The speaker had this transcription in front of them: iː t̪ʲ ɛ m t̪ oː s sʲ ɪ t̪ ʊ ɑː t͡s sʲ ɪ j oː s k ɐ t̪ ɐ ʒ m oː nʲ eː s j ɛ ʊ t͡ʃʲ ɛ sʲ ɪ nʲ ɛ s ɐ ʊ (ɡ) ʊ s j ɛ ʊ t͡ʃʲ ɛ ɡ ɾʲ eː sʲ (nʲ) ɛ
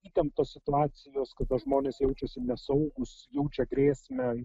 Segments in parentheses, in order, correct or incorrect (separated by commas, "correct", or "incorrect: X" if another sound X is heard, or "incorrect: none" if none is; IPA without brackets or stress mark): correct, incorrect: mʲ